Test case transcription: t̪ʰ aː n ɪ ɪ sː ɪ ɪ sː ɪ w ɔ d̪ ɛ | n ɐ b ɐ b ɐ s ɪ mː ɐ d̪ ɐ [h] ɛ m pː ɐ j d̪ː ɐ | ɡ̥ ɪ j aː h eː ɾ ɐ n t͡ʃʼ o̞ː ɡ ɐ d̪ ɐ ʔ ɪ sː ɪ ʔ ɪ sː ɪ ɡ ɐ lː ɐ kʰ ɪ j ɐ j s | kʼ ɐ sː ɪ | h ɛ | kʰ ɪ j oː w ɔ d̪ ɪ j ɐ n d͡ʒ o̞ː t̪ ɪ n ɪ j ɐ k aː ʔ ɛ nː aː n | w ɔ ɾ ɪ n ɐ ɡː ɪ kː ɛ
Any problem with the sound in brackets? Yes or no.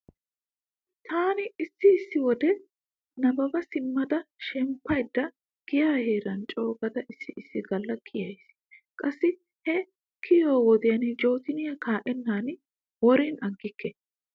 yes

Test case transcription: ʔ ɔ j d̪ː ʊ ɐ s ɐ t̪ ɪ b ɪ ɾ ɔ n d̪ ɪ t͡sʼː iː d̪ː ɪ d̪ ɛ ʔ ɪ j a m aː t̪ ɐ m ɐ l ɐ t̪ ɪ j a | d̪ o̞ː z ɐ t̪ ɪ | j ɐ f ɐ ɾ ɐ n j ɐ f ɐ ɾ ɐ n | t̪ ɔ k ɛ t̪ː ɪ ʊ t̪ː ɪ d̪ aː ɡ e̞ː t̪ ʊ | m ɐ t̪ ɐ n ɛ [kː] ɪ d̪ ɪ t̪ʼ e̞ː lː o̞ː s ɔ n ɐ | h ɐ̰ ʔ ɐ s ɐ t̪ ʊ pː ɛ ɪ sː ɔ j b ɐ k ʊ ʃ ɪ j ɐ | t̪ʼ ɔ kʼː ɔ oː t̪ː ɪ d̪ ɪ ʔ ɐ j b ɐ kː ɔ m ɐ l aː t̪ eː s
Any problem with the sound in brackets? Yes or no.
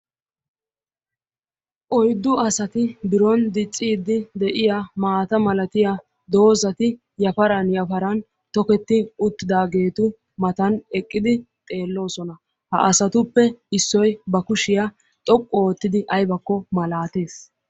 yes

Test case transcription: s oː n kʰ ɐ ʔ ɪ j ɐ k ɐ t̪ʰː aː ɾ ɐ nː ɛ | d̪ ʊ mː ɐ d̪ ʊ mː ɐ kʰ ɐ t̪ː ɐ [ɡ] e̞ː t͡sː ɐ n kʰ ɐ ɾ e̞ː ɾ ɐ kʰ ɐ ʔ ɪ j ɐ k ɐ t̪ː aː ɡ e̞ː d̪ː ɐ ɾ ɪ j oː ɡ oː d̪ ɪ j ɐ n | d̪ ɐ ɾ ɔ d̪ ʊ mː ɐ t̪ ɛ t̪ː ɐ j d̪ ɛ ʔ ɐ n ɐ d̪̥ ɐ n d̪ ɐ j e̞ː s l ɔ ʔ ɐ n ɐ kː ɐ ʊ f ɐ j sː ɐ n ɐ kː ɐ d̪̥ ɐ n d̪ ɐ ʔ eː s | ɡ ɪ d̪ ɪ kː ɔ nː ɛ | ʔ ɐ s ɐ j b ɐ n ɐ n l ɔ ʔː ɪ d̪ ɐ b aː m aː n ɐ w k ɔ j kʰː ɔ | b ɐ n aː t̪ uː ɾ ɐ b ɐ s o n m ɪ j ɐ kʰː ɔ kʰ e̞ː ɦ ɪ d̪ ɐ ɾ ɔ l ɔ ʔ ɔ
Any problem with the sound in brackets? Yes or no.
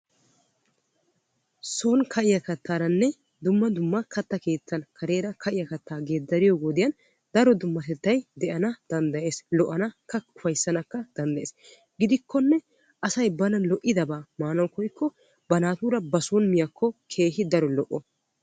yes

